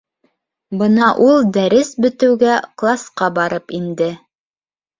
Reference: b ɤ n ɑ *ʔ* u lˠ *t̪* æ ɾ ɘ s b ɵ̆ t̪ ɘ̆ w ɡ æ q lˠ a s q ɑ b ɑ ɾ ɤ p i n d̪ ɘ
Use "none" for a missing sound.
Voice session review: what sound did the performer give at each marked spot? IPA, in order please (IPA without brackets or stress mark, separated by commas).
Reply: ʔ, d̪